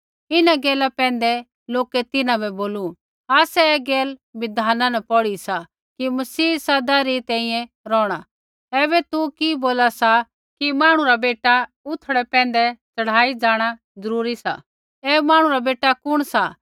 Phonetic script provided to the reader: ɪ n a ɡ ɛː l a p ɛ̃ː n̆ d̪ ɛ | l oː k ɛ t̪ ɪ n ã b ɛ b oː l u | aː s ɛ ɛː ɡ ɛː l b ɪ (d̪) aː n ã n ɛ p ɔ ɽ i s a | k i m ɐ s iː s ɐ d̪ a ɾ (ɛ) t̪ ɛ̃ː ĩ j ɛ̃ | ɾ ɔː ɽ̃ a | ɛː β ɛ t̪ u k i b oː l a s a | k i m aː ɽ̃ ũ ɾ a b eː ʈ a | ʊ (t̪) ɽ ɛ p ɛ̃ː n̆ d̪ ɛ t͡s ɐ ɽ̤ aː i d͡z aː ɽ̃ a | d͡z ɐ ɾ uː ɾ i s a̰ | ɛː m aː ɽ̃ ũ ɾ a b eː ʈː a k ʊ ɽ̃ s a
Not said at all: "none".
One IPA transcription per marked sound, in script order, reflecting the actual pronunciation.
d̪, i, t̪ʰ

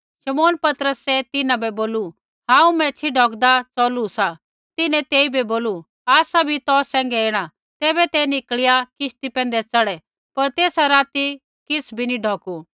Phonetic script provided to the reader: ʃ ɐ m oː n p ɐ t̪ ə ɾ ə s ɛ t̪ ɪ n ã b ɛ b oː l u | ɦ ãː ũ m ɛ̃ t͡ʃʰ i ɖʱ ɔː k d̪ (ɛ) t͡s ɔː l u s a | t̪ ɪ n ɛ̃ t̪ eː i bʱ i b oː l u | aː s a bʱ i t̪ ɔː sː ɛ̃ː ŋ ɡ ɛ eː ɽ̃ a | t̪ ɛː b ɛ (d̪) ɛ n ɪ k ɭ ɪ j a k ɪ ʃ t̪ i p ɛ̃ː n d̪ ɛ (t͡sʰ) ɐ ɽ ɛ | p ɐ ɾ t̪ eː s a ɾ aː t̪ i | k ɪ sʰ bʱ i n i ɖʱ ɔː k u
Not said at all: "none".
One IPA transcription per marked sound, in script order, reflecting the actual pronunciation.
a, t̪, t͡s

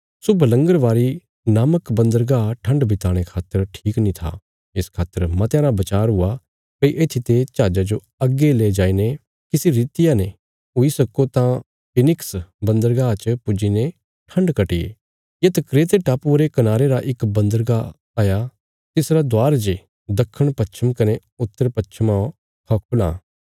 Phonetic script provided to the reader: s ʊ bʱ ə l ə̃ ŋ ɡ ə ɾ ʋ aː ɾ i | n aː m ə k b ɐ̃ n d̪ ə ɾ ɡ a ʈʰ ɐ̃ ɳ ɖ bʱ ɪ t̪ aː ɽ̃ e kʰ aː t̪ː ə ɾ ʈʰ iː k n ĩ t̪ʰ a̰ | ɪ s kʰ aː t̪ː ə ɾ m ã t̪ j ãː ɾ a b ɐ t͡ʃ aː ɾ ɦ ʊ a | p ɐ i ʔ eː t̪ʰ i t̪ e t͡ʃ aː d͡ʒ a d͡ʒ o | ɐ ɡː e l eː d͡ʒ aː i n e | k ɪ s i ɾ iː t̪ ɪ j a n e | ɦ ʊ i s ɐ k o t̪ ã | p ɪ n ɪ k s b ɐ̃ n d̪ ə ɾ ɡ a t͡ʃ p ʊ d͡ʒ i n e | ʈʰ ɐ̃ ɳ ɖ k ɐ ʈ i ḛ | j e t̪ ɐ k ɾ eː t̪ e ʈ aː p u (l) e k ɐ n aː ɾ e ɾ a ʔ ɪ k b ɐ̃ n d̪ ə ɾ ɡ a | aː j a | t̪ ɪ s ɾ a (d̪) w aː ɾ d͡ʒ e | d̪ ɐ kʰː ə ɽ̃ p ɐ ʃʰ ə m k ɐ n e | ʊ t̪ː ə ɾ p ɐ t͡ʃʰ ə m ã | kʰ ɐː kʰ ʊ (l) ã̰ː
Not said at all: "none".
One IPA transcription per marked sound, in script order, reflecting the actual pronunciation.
ɾ, d̪, l

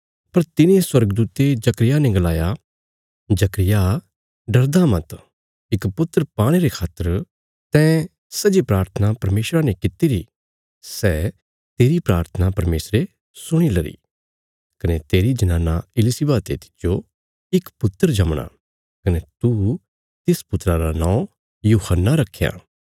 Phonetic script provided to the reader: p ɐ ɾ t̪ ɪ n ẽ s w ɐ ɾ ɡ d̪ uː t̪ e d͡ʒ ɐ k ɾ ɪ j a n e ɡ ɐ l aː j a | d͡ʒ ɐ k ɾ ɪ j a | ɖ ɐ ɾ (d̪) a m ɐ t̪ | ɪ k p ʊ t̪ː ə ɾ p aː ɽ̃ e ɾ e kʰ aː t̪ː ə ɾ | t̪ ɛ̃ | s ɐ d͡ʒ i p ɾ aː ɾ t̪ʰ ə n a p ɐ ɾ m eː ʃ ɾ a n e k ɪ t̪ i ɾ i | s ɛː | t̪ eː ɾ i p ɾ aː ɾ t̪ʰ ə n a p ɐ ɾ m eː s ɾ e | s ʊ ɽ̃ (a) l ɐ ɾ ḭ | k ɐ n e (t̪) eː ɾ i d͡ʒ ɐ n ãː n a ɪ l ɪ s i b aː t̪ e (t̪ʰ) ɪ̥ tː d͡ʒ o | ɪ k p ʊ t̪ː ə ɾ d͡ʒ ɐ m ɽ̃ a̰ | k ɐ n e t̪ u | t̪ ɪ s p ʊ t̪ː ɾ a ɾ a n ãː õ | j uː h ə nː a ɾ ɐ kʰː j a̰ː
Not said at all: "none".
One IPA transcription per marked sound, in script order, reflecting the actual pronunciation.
d̪, i, t̪, t̪

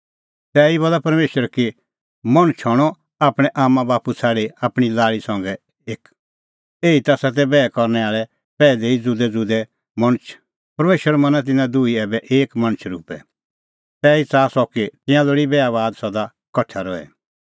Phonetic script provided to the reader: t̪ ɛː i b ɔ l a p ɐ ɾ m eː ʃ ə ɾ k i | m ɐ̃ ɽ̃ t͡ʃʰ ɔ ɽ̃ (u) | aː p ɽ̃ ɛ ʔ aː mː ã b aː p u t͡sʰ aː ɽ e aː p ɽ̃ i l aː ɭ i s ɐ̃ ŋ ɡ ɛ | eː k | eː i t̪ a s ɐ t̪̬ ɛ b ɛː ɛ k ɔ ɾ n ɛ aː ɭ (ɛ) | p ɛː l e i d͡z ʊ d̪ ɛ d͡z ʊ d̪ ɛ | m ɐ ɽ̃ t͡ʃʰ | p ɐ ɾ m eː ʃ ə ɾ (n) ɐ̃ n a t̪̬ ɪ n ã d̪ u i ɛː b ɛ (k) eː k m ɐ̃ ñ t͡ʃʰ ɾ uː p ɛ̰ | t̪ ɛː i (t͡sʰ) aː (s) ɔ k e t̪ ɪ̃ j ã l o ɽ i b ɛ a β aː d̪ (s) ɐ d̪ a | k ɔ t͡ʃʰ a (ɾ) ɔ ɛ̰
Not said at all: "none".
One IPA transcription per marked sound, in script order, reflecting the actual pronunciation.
ɔ, ɛ, m, ʔ, t͡s, s, s, ɾ

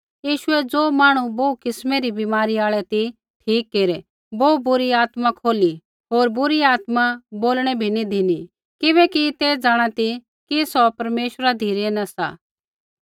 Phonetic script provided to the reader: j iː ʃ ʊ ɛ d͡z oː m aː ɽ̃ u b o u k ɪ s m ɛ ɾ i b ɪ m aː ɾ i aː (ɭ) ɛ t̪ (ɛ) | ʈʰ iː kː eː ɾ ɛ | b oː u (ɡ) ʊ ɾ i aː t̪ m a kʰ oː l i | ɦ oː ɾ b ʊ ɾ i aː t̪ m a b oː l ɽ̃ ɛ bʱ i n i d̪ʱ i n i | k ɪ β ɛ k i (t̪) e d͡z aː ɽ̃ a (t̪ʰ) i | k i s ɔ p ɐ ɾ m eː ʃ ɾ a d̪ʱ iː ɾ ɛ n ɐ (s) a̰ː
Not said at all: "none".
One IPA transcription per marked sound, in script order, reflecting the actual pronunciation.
ɭ, i, b, t̪, t̪, s

